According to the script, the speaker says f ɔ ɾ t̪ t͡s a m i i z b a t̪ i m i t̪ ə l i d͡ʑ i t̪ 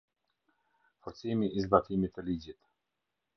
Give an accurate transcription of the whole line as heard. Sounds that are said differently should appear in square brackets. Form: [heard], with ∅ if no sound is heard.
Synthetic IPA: f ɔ ɾ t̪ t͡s [i] m i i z b a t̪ i m i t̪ ə l i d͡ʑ i t̪